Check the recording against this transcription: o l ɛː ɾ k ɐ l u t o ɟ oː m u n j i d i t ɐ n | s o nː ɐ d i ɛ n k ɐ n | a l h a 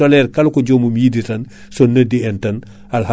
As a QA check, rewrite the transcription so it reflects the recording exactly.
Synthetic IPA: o l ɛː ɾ k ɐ l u k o ɟ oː m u m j i d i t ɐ n | s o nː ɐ d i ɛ n t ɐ n | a l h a